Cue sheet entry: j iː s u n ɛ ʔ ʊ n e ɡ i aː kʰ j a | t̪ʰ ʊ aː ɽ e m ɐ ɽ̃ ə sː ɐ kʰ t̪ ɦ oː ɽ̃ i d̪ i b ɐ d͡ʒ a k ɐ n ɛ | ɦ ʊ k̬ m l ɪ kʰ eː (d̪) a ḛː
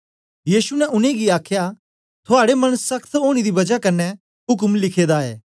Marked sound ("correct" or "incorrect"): correct